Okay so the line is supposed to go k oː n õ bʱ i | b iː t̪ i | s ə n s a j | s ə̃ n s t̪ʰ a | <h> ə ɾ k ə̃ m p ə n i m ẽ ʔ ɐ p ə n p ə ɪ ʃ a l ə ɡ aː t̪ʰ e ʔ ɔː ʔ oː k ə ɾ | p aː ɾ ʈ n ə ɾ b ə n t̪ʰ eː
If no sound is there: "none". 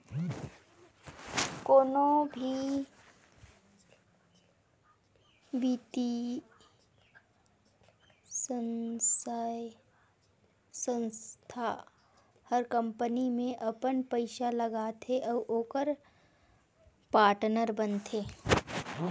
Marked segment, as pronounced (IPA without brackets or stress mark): h